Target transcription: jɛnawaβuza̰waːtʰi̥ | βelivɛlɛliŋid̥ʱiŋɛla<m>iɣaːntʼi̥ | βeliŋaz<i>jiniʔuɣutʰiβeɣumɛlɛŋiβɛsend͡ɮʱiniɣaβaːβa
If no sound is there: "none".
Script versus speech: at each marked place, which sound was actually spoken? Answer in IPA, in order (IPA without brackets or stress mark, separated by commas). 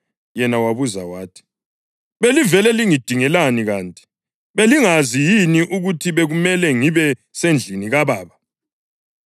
n, i